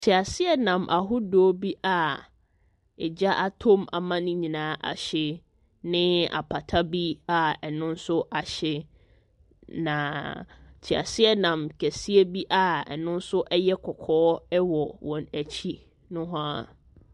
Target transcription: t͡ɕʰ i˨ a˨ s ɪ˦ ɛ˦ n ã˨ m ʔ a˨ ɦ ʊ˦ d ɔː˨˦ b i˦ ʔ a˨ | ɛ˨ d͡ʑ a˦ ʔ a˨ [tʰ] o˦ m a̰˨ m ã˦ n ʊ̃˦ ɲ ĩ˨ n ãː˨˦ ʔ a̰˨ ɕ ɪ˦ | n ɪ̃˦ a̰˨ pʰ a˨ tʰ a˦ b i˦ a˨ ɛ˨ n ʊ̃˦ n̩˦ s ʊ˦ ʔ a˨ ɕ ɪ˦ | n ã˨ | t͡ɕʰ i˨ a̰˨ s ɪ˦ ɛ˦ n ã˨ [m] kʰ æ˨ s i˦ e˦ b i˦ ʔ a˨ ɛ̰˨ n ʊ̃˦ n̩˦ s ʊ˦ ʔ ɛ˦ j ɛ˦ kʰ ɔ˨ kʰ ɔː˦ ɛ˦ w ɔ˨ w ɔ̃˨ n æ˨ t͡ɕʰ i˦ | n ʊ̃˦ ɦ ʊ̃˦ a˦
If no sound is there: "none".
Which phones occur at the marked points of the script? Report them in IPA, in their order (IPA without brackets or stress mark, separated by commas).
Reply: tʰ, m